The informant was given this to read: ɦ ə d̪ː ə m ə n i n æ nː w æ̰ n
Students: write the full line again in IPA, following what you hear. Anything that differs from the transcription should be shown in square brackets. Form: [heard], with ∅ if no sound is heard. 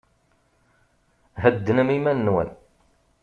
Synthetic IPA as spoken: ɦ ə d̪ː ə [n] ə [m] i [m] æ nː w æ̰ n